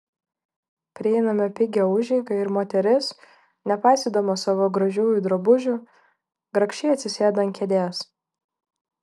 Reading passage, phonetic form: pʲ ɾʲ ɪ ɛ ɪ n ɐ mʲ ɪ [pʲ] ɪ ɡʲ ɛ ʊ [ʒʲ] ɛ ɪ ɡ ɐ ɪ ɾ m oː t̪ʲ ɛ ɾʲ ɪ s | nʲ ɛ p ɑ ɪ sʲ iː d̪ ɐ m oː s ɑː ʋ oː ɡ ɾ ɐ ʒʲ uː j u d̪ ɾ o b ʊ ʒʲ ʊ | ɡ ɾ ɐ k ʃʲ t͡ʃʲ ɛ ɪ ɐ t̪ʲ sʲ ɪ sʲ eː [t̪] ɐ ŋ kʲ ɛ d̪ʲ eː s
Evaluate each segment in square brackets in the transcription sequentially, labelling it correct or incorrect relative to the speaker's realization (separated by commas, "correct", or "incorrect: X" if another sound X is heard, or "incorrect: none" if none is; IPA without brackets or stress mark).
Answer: correct, correct, incorrect: d̪